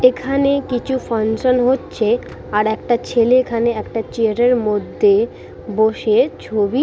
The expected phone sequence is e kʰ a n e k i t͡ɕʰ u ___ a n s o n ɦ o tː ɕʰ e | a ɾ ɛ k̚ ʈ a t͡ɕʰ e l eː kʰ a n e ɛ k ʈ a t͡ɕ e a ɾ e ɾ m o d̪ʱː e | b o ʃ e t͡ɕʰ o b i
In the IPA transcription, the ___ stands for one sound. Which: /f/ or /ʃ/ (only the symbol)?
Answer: f